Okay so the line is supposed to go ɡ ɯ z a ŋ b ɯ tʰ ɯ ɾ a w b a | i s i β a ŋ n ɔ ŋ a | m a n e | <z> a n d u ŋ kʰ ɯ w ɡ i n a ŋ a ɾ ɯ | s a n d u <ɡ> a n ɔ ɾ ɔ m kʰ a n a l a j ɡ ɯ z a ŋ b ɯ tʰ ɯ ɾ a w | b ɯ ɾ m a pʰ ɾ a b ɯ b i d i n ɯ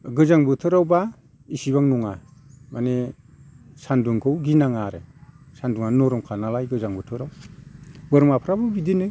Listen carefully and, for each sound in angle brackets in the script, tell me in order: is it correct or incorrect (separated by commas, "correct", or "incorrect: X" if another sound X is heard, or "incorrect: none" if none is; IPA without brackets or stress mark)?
incorrect: s, incorrect: ŋ